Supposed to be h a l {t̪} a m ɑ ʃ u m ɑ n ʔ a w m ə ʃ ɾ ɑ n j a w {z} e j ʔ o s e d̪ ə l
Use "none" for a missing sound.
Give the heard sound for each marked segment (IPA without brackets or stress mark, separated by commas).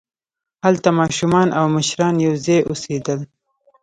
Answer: t̪, z